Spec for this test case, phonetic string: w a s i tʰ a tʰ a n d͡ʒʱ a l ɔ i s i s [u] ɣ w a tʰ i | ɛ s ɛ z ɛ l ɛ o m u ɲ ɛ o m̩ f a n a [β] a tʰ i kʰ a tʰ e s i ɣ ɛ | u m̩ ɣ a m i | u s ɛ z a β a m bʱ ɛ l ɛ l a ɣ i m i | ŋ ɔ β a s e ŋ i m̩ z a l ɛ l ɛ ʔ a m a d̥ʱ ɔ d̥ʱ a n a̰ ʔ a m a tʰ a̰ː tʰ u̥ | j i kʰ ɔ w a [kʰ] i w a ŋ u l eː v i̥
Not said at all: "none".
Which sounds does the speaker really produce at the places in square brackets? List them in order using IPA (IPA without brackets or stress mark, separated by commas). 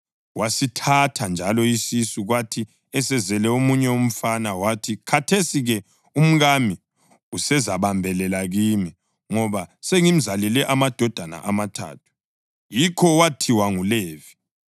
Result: u, w, tʰ